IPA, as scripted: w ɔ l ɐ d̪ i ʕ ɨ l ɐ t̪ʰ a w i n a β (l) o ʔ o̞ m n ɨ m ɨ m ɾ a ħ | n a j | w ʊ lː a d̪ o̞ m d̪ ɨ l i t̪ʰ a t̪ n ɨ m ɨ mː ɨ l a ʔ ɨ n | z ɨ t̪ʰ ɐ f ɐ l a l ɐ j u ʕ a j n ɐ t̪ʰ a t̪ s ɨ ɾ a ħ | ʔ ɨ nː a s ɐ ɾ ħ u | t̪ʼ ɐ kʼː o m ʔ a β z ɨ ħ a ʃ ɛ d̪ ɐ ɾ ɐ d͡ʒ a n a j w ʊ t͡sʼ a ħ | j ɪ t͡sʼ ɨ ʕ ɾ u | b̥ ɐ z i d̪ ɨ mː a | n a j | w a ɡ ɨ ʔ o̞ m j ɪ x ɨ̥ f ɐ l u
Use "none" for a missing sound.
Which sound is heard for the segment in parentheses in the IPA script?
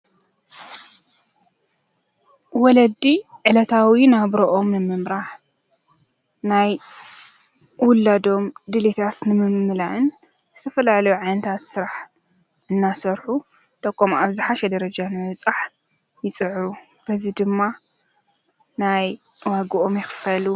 ɾ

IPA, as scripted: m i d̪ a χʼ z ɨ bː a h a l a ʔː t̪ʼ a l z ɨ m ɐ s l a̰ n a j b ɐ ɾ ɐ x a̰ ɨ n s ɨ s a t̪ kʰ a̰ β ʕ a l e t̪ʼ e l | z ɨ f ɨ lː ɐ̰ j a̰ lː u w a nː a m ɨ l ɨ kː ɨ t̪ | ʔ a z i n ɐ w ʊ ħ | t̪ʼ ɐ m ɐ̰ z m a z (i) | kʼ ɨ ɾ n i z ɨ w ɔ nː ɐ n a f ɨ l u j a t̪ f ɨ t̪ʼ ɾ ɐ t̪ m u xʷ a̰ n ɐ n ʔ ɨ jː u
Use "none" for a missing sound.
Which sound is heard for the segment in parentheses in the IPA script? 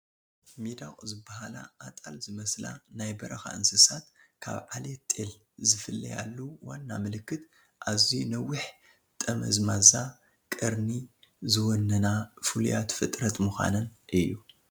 a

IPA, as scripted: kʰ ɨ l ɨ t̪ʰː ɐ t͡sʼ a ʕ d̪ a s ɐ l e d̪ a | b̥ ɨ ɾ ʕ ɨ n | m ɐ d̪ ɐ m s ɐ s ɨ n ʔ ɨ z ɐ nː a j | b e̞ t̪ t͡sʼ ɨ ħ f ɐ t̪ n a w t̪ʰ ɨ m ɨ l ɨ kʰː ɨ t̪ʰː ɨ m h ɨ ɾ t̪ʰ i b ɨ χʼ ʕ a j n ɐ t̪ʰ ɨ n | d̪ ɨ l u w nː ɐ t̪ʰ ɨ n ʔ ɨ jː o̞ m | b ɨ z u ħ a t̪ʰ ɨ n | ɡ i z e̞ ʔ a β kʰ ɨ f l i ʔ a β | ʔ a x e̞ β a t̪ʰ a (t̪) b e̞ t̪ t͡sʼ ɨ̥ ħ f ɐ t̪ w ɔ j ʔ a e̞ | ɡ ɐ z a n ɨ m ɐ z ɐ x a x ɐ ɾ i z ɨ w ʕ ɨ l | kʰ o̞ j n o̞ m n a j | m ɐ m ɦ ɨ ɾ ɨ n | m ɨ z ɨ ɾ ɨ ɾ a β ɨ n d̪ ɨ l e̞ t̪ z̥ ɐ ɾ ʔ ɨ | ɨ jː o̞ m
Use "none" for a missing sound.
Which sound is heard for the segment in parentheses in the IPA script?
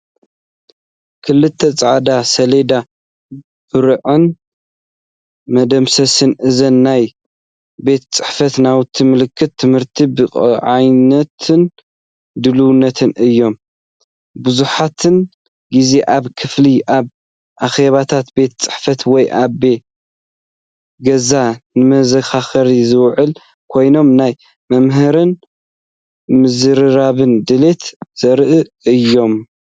t̪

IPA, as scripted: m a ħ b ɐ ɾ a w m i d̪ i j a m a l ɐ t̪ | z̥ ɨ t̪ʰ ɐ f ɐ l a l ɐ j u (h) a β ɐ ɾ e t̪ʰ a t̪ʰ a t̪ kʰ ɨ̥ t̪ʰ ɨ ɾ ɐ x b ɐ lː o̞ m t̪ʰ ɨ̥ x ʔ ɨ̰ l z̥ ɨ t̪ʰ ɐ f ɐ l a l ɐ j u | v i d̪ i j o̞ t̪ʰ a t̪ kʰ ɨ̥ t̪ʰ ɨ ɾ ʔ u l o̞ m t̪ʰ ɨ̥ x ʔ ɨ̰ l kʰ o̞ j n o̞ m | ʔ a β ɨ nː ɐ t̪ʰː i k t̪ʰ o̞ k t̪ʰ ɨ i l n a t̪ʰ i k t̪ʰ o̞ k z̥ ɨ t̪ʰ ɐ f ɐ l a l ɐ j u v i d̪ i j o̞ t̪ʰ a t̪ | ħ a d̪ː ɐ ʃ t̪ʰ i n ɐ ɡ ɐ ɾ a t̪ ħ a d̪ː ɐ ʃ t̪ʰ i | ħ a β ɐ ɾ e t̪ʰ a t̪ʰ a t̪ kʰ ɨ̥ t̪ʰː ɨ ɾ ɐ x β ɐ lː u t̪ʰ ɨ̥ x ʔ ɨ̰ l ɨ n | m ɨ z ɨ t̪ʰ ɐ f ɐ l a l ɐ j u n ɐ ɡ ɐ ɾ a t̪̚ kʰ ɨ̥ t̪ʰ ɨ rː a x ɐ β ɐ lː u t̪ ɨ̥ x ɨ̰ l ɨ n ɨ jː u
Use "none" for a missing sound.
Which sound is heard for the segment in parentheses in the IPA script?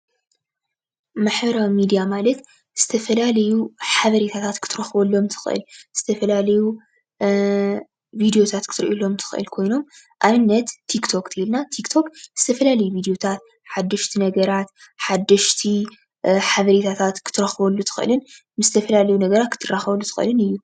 ħ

